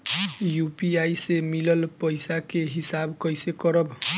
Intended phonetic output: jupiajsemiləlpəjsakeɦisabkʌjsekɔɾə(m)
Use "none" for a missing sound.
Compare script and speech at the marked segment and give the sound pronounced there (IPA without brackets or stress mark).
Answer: b